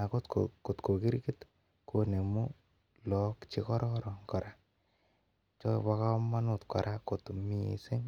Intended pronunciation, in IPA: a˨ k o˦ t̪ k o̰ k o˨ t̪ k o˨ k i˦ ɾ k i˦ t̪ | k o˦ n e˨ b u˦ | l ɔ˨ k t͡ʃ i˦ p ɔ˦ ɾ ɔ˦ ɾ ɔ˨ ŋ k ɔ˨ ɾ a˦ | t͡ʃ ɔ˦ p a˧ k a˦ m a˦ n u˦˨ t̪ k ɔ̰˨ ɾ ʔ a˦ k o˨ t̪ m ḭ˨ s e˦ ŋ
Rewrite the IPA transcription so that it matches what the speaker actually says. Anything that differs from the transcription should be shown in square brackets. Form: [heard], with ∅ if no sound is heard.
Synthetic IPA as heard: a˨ k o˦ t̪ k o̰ k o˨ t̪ k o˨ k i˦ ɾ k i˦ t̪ | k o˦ n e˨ [m] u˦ | l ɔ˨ k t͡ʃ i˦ [k] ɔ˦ ɾ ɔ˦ ɾ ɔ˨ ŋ k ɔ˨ ɾ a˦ | t͡ʃ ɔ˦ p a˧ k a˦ m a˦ n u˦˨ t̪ k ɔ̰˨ ɾ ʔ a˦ k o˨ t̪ m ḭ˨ s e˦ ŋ